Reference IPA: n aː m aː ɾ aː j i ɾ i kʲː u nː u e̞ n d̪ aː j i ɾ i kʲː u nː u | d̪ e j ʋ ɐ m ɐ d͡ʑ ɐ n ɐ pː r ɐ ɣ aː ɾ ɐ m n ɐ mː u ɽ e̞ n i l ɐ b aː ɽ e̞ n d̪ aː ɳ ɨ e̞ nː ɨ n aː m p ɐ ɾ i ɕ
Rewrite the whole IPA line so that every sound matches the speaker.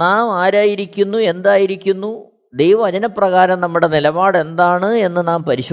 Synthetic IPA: n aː m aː ɾ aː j i ɾ i kʲː u nː u e̞ n d̪ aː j i ɾ i kʲː u nː u | d̪ e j ʋ ɐ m ɐ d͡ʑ ɐ n ɐ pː r ɐ ɣ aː ɾ ɐ m n ɐ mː u ɽ e̞ n i l ɐ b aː ɽ e̞ n d̪ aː ɳ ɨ e̞ nː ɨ n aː m p ɐ ɾ i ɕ